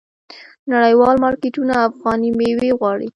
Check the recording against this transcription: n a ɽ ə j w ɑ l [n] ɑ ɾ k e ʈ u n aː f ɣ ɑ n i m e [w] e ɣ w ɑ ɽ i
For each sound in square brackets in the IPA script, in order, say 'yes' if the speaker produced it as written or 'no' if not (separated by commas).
no, yes